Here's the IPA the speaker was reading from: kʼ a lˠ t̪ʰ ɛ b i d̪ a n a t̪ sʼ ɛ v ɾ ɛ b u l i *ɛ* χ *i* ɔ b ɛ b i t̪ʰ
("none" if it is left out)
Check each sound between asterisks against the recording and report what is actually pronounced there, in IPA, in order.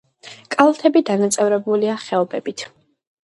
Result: a, ɛ

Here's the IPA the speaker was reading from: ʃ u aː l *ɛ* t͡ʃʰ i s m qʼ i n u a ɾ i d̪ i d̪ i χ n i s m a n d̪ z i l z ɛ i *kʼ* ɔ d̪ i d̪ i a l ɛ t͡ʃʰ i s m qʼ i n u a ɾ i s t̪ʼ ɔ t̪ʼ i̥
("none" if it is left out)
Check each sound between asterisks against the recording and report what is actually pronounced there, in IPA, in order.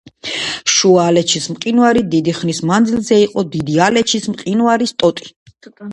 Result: ɛ, qʼ

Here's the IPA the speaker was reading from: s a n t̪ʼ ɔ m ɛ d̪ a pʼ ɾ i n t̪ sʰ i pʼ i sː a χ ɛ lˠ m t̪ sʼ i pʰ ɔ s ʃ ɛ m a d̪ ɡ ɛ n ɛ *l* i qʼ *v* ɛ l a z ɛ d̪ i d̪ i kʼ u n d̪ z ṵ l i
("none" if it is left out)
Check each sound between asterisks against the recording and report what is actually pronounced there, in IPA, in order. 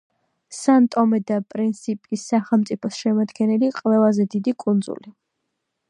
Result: l, v

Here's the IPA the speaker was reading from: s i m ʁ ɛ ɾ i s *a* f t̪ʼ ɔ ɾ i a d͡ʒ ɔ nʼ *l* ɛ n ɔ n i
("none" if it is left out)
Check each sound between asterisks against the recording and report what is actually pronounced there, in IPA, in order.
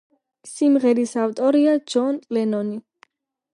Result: a, l

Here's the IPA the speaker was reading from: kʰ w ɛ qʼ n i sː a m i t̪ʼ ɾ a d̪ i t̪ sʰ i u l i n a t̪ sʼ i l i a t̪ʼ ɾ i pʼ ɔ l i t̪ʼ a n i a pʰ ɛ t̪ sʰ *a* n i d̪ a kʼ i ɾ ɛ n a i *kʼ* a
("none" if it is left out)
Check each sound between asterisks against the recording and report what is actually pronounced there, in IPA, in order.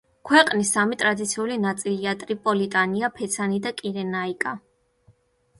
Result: a, kʼ

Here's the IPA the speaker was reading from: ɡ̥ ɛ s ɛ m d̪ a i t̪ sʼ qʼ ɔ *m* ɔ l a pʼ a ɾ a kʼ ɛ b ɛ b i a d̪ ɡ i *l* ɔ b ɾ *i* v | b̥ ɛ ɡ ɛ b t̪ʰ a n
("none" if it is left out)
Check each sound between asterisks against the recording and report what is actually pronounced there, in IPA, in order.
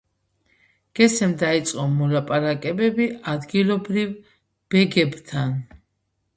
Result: m, l, i

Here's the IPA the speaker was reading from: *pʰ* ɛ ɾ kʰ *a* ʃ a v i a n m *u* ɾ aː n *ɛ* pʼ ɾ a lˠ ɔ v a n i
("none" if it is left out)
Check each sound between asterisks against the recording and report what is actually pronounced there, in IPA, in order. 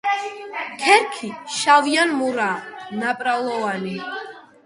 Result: kʰ, i, u, a

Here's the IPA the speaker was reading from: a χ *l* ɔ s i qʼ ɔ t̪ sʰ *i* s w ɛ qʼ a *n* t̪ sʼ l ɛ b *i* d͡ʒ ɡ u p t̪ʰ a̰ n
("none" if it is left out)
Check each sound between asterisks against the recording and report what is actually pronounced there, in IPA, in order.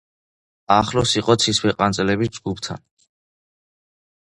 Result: l, i, n, i

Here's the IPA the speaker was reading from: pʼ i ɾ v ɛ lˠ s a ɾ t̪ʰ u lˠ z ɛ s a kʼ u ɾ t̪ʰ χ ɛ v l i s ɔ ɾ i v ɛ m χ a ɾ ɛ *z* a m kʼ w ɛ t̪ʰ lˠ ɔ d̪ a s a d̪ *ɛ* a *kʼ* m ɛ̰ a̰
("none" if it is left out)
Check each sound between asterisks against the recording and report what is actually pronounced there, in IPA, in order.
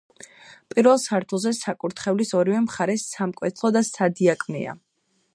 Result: s, i, kʼ

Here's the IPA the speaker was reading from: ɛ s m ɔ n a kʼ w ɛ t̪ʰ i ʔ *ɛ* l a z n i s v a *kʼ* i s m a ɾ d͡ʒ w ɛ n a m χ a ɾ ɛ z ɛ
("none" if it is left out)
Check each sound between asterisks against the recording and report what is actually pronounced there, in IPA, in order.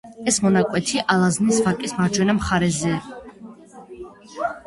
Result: a, kʼ

